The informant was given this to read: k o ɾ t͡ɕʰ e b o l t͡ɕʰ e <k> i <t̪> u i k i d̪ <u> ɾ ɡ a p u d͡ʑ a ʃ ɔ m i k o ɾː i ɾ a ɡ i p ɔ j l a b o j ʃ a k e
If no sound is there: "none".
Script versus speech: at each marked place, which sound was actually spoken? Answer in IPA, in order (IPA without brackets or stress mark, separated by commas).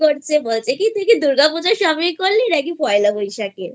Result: k, t̪, u